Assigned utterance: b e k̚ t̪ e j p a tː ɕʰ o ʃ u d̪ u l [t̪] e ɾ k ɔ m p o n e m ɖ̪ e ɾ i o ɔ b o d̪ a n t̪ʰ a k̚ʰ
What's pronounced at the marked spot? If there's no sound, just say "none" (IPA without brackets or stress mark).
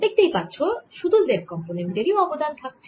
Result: d̪